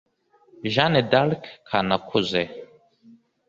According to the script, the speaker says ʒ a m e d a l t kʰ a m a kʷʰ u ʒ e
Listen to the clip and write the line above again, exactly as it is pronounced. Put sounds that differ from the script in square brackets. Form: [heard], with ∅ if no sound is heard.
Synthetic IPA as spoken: ʒ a [n] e d a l [k] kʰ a [n] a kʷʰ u [z] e